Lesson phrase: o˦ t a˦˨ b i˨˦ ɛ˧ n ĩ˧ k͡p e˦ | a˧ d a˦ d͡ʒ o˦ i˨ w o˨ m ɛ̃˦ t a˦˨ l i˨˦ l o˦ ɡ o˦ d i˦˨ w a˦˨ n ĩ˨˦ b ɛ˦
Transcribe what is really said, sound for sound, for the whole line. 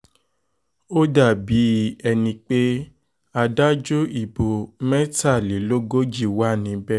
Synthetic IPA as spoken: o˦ d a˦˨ b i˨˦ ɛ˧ n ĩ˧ k͡p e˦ | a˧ d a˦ d͡ʒ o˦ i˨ b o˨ m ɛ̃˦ t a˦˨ l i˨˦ l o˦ ɡ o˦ d͡ʒ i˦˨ w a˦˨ n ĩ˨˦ b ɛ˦